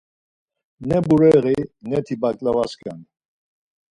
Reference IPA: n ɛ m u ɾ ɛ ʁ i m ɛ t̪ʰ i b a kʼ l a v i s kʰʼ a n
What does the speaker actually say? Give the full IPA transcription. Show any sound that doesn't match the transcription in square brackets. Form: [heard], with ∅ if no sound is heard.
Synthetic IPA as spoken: n ɛ [b] u ɾ ɛ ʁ i [n] ɛ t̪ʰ i b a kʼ l a v [a] s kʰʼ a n